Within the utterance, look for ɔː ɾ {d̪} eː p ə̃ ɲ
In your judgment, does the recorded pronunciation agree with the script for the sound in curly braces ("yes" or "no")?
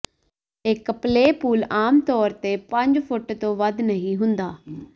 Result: no